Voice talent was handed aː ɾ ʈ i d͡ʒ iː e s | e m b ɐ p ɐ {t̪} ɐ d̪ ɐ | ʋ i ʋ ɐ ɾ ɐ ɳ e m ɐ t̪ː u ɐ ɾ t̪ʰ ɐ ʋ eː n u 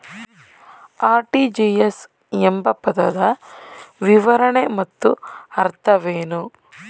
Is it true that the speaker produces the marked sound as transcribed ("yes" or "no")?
no